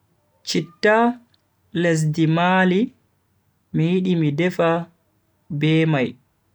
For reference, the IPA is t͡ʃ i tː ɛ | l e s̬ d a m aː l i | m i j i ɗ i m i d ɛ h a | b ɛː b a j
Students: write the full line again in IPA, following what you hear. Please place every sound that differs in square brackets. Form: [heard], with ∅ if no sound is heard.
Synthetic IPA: t͡ʃ i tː [a] | l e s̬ d [i] m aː l i | m i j i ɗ i m i d ɛ [f] a | b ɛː [m] a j